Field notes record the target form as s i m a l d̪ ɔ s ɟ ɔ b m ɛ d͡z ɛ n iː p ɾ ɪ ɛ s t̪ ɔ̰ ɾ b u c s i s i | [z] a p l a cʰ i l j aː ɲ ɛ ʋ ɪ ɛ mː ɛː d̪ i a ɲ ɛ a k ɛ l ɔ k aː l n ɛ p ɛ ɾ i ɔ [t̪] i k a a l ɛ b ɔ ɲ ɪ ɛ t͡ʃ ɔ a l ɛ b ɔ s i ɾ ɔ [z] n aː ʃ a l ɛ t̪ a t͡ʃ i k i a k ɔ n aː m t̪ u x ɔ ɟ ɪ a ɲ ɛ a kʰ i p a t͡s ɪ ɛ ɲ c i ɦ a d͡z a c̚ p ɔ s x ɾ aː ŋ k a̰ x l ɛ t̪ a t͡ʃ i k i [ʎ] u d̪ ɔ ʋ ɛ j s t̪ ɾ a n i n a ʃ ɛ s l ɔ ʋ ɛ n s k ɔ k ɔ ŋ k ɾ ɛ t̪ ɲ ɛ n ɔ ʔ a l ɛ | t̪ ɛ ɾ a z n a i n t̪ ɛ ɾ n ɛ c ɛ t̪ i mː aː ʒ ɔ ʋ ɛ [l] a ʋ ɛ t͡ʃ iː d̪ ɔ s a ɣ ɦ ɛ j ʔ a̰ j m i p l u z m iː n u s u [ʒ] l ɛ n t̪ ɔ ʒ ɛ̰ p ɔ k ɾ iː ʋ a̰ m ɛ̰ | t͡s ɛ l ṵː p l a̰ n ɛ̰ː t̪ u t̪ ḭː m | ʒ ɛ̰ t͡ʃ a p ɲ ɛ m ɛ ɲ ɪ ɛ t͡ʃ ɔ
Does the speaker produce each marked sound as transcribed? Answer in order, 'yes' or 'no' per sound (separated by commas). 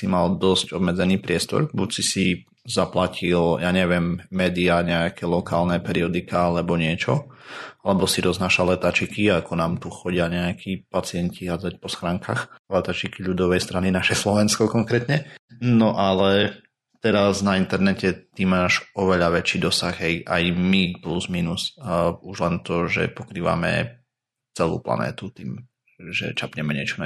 yes, no, yes, yes, no, yes